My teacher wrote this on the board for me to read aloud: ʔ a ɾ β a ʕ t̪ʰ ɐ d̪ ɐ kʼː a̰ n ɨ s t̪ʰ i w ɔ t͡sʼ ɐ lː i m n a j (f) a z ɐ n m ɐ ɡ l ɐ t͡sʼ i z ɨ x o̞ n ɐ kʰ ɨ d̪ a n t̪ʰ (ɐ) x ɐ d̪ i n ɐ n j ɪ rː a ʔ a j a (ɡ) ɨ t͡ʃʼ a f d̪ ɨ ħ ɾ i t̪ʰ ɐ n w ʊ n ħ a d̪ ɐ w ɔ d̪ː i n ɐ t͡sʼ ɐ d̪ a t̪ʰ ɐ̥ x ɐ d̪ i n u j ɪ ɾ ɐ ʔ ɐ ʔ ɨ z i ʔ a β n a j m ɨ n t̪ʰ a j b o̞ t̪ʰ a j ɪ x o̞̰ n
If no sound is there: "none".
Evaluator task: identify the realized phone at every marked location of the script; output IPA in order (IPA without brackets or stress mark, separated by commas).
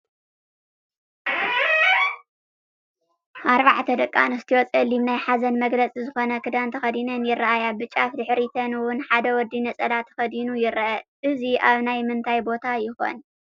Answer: ħ, ɐ, b